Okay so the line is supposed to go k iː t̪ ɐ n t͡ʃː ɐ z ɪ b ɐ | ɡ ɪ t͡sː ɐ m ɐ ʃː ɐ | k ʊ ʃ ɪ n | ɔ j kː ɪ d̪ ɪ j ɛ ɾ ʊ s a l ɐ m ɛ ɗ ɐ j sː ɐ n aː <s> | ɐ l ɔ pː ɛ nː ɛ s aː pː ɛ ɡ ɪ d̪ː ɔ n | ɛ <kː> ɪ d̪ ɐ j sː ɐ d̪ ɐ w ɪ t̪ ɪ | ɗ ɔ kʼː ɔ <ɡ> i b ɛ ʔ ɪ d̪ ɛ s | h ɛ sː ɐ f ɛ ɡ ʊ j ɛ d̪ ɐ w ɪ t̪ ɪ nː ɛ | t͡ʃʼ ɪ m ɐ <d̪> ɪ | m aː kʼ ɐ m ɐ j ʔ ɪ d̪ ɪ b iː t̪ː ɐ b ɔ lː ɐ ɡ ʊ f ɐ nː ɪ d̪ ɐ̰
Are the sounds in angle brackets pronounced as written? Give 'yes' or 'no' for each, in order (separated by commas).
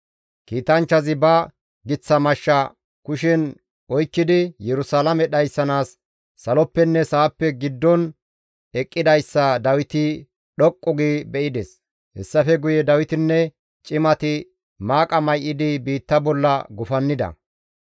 no, no, yes, no